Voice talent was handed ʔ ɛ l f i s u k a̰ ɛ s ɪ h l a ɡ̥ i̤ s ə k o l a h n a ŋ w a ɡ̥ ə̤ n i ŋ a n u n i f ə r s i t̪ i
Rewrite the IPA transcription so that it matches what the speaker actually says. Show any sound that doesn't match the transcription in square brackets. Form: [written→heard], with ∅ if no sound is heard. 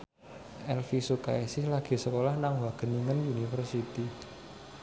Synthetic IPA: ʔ ɛ l f i s u k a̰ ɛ s ɪ h l a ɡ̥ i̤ s ə k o l a h n a ŋ w a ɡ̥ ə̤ n i ŋ [a→ə] n u n i f ə r s i t̪ i